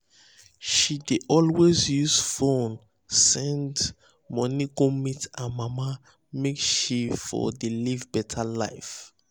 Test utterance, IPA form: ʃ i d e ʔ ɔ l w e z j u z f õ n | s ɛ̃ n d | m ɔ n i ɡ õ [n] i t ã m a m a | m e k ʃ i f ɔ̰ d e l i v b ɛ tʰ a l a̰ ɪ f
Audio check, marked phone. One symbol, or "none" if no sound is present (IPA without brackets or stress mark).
m